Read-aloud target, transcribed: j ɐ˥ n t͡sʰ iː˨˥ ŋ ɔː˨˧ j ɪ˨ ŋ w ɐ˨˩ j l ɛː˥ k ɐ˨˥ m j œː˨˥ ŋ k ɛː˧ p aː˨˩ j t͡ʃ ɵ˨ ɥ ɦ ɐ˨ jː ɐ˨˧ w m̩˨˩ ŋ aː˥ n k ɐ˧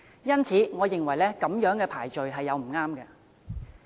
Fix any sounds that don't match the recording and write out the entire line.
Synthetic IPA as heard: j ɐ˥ n t͡sʰ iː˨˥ ŋ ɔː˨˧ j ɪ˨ ŋ w ɐ˨˩ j l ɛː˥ k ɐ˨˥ m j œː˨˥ ŋ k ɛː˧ pʰ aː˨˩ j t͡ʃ ɵ˨ ɥ ɦ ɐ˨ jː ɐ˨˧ w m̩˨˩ ŋ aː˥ m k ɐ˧